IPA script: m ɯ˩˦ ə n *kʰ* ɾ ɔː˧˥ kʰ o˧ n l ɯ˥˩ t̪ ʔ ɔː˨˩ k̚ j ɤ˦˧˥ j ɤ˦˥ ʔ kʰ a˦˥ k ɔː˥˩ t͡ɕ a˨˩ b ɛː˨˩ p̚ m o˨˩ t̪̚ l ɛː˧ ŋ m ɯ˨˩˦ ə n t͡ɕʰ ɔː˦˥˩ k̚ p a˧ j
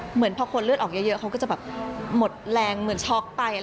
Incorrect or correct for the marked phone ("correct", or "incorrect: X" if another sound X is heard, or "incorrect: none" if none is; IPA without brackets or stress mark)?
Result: incorrect: pʰ